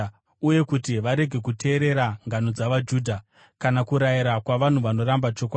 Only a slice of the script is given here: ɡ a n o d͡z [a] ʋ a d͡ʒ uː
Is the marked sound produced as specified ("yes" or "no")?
yes